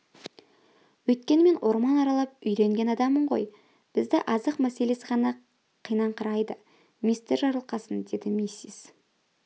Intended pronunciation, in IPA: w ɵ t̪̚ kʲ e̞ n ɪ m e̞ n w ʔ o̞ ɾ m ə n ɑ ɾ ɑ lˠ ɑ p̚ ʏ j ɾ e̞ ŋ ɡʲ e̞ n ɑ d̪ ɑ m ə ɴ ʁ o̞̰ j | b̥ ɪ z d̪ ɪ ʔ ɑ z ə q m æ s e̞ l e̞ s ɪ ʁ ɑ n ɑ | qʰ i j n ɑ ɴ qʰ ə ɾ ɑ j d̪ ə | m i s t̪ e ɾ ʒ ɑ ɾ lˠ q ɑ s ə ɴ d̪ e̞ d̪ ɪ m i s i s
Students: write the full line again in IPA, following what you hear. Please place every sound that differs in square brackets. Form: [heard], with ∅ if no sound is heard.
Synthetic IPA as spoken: w ɵ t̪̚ kʲ e̞ n ɪ m e̞ n w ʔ o̞ ɾ m [ɑ] n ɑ ɾ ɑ lˠ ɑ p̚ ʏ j ɾ e̞ ŋ ɡʲ e̞ n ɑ d̪ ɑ m ə ɴ ʁ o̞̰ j | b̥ ɪ z d̪ ɪ ʔ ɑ z ə q m æ s e̞ l e̞ s ɪ ʁ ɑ n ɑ | qʰ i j n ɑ ɴ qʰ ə ɾ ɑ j d̪ ə | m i s t̪ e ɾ ʒ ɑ ɾ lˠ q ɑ s ə [n] d̪ e̞ d̪ ɪ m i s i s